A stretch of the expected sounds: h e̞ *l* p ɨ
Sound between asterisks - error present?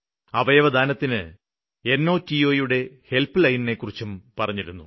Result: no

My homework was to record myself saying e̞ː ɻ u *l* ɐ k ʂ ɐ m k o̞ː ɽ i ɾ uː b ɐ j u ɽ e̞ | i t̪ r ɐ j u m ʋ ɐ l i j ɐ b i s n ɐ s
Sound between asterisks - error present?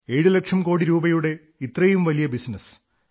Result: no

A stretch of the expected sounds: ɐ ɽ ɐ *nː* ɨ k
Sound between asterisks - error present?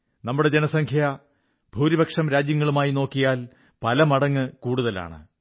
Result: yes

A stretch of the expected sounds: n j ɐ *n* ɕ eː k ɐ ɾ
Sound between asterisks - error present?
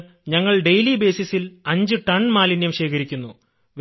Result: yes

